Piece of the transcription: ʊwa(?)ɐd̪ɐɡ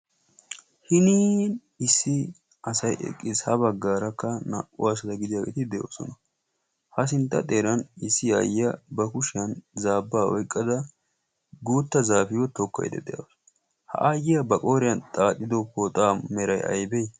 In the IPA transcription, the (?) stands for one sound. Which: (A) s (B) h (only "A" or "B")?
A